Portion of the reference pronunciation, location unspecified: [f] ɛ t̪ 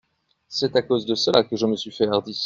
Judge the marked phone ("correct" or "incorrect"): incorrect